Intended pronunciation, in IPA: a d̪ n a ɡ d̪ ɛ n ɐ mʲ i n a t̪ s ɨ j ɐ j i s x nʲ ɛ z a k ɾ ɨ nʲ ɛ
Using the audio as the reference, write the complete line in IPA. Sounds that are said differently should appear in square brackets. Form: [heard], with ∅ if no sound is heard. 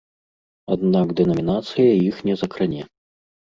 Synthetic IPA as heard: a d̪ n a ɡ d̪ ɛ n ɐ mʲ i n a t̪ s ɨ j ɐ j i [∅] x nʲ ɛ z [ɐ] k ɾ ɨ nʲ ɛ